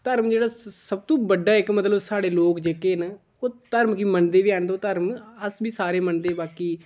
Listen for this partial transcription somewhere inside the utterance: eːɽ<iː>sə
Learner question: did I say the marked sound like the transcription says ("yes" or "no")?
no